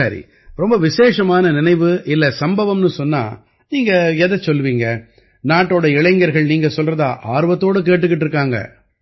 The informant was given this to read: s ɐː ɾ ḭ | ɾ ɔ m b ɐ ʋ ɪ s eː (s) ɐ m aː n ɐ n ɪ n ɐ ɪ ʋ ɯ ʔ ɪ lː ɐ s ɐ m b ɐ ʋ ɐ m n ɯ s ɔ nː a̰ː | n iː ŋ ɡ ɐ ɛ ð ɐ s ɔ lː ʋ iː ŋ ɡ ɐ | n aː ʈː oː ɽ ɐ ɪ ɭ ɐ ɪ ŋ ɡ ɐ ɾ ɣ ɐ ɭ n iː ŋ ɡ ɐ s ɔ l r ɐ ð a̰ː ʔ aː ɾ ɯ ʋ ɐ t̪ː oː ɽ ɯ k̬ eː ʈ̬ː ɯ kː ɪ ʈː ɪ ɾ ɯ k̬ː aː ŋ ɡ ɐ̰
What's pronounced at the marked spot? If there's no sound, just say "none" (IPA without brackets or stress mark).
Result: ʂ